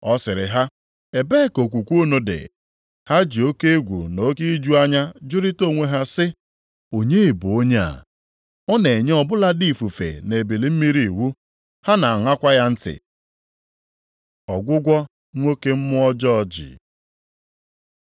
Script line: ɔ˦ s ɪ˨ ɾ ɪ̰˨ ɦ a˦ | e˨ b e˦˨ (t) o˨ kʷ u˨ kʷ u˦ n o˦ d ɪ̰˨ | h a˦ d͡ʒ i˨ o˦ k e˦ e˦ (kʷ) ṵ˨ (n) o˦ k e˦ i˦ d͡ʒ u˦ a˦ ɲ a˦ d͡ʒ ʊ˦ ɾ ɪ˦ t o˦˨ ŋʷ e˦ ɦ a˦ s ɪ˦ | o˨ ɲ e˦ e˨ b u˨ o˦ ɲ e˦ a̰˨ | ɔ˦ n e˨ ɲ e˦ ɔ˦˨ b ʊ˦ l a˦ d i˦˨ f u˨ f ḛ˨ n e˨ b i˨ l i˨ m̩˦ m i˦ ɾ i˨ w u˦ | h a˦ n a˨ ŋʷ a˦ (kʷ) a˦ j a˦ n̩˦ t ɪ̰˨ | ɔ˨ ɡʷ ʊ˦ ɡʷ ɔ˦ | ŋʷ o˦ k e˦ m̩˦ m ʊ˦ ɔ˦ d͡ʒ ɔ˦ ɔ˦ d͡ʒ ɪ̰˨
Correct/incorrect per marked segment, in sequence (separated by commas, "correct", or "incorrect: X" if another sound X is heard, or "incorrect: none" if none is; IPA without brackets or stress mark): incorrect: k, incorrect: ɡʷ, correct, correct